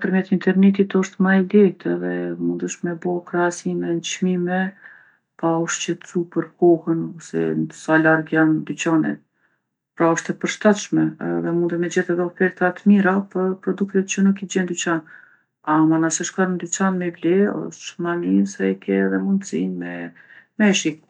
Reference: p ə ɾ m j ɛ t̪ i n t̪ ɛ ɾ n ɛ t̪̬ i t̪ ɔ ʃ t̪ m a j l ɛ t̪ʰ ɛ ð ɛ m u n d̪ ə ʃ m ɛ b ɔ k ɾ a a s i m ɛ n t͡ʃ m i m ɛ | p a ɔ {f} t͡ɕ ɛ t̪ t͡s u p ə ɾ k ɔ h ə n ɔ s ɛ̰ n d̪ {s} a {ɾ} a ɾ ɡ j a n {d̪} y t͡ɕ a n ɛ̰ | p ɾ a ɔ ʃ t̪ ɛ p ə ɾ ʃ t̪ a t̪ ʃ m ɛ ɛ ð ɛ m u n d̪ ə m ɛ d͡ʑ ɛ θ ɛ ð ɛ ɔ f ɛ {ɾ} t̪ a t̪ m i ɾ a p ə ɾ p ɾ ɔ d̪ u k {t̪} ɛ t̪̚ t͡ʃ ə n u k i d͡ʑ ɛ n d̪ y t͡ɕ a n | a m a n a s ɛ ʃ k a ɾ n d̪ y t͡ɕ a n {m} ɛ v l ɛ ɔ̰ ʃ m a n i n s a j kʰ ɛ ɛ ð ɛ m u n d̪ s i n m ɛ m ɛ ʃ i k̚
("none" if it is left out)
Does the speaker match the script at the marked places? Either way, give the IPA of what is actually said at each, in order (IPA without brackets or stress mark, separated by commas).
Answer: ʃ, s, l, d̪, ɾ, t̪, m